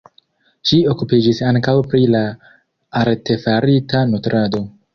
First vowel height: high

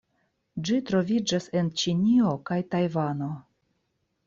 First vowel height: high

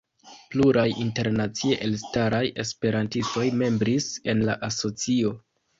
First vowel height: high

